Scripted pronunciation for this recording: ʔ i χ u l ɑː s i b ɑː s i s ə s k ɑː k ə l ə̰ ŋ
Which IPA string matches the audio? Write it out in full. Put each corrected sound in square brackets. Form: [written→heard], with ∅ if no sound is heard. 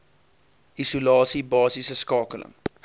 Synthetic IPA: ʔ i [χ→s] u l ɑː s i b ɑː s i s ə s k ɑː k ə l ə̰ ŋ

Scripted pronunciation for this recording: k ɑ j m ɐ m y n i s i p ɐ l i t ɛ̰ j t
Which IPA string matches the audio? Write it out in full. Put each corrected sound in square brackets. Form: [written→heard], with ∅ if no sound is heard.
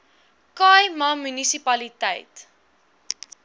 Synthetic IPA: k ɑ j m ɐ m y n i s i p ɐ l i t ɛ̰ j t

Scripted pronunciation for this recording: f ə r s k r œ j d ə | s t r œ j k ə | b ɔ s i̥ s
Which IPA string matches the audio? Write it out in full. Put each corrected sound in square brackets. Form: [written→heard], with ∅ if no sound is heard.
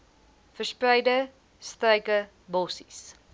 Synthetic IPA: f ə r s [k→p] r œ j d ə | s t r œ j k ə | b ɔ s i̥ s

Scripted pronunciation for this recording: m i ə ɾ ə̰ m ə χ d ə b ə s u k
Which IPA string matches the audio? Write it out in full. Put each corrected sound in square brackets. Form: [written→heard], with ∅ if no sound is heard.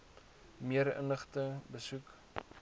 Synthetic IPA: m i ə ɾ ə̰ [m→n] ə χ [d→t] ə b ə s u k

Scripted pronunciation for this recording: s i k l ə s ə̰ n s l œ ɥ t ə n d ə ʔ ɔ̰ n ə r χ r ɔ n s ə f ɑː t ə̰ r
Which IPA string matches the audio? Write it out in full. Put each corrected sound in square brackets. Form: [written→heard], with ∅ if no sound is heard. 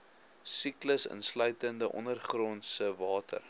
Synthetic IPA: s i k l ə s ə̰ n s l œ ɥ t ə n d ə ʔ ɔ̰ n ə r χ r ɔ n s ə [f→v] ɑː t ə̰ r

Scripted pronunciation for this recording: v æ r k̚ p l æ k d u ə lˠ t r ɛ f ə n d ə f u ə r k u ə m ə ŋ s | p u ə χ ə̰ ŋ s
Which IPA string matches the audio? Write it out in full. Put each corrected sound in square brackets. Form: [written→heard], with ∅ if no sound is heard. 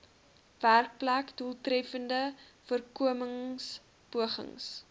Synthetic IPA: v æ r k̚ p l æ k d u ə lˠ t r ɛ f ə n d ə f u ə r k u ə m ə ŋ s | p u ə χ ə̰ ŋ s

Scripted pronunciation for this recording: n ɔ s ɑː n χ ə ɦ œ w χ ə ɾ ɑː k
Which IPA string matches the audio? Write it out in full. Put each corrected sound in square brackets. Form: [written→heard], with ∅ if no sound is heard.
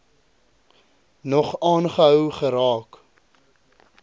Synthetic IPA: n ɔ [s→χ] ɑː n χ ə ɦ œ w χ ə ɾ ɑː k

